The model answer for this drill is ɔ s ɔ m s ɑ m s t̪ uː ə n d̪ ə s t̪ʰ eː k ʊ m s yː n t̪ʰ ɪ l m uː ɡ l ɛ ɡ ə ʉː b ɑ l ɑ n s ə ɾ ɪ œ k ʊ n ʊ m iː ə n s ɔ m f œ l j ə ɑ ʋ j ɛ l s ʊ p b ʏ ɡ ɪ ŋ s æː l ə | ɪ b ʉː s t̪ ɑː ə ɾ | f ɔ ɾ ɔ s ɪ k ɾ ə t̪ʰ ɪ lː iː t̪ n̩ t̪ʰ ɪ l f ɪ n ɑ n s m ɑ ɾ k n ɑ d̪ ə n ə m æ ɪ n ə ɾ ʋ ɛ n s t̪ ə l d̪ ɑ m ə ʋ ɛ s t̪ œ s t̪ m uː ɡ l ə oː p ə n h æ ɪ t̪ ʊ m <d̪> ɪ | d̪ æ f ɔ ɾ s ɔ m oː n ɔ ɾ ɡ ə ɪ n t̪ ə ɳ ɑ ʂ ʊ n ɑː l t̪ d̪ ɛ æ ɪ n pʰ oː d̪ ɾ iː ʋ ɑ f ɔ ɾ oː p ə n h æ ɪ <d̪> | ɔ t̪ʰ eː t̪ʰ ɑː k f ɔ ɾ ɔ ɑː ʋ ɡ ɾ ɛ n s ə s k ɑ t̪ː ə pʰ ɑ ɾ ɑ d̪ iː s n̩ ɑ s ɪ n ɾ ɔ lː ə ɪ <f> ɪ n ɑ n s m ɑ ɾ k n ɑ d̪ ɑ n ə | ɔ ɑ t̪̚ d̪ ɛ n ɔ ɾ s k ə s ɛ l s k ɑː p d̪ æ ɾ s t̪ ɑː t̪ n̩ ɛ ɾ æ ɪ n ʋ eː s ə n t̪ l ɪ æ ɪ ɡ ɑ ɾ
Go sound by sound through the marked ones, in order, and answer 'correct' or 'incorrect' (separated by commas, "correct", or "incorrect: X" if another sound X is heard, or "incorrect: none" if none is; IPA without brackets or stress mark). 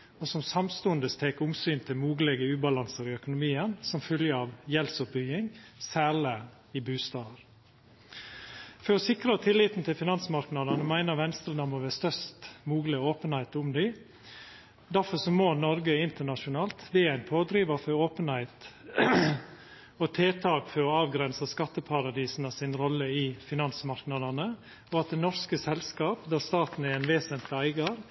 correct, incorrect: t̪, correct